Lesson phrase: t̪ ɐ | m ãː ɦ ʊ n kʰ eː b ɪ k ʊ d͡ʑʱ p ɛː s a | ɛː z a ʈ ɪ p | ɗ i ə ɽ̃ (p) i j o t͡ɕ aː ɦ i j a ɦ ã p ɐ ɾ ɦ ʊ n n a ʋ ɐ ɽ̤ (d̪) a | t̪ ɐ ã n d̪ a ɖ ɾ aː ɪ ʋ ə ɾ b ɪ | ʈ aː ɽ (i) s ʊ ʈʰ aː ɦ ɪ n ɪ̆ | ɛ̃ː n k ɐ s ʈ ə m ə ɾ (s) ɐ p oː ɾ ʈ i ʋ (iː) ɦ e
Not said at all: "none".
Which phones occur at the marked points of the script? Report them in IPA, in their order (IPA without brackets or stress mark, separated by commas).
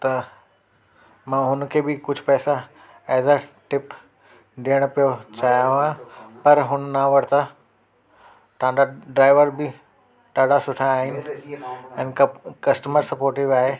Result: p, t̪, a, s, aː